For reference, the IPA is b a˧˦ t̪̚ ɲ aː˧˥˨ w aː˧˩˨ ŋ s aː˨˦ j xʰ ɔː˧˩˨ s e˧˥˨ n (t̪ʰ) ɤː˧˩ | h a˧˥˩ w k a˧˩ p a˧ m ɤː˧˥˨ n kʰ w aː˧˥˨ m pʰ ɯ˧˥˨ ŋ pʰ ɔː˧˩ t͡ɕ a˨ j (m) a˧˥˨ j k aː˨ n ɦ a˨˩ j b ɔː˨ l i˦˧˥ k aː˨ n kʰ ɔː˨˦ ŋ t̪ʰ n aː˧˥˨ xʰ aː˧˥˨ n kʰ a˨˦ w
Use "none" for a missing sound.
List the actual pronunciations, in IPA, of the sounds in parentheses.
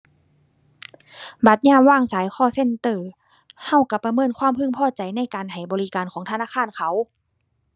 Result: t̪, n

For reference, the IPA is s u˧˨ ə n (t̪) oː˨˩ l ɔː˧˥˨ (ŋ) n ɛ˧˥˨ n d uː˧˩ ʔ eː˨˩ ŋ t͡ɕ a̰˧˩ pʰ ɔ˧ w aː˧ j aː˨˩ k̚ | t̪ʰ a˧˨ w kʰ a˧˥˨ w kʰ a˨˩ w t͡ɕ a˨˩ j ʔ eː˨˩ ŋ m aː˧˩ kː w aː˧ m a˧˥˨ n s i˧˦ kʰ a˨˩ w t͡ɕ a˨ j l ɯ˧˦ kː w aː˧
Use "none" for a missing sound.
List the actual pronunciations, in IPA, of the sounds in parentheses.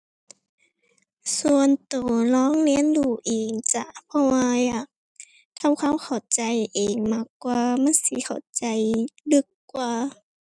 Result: t̪, ŋ

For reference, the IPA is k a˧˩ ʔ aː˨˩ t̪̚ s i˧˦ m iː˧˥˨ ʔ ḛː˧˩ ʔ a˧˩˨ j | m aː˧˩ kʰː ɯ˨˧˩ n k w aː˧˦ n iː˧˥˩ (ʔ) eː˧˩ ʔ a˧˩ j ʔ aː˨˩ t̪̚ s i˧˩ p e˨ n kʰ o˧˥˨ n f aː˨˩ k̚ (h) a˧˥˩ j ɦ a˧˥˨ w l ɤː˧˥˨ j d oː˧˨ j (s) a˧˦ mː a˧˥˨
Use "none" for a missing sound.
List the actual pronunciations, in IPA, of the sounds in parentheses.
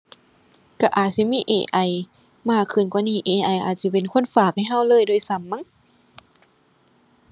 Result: ʔ, h, s

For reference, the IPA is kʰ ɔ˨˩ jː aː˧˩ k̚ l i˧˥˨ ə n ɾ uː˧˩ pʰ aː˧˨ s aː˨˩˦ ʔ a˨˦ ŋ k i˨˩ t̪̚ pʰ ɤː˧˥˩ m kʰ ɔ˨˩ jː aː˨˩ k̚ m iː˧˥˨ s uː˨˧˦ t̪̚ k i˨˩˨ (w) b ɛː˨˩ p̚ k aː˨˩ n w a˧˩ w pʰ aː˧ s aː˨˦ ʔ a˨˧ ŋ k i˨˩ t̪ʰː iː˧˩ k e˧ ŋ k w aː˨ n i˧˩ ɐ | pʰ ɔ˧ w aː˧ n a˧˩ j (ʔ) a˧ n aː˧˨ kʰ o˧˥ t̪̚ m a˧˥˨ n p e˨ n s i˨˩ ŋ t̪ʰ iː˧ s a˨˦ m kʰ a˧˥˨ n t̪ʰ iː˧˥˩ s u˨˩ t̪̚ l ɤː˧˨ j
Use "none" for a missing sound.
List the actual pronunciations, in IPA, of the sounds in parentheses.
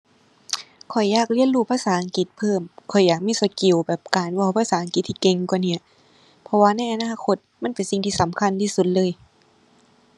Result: w, ʔ

